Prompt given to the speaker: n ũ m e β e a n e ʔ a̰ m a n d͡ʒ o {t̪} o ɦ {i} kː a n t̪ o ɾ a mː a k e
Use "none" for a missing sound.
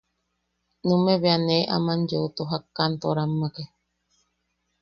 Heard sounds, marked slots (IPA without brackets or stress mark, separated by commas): t̪, a